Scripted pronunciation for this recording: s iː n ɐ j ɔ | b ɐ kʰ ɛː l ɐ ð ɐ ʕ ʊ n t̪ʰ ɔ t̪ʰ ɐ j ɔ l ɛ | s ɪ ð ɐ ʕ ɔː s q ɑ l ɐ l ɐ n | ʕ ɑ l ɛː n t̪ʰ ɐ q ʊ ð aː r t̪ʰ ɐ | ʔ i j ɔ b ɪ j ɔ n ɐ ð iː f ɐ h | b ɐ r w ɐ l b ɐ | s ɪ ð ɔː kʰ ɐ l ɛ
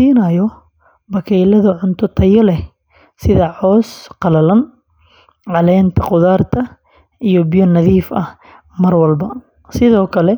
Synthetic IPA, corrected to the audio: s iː n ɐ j ɔ | b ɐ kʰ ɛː l ɐ ð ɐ ʕ ʊ n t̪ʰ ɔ t̪ʰ ɐ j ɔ l ɛ | s ɪ ð ɐ ʕ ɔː s q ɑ l ɐ l ɐ n | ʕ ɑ l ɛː n t̪ʰ ɐ q ʊ ð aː r t̪ʰ ɐ | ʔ i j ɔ b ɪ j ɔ n ɐ ð iː f ɐ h | m ɐ r w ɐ l b ɐ | s ɪ ð ɔː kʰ ɐ l ɛ